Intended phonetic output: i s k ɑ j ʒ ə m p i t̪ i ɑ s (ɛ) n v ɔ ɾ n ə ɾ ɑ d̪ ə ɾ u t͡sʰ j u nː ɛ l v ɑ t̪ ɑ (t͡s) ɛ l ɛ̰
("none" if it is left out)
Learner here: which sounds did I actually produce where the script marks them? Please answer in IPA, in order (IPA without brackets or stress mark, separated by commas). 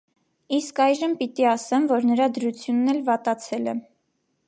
ɛ, t͡sʰ